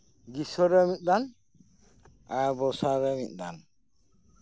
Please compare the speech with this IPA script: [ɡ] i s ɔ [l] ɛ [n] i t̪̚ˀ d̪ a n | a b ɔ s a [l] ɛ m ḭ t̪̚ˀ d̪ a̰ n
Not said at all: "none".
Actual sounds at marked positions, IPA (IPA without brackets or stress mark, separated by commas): ɡ, ɾ, m, ɾ